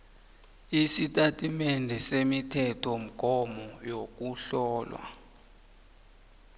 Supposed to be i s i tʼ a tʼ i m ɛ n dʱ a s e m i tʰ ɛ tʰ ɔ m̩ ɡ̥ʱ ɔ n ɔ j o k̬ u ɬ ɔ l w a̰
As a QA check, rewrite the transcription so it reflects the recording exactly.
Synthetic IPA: i s i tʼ a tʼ i m ɛ n dʱ ɛ s e m i tʰ ɛ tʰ ɔ m̩ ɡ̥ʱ ɔ m ɔ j o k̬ u ɬ ɔː l w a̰